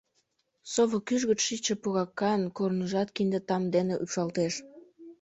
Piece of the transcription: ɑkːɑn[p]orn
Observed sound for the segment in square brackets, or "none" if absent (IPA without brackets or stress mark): k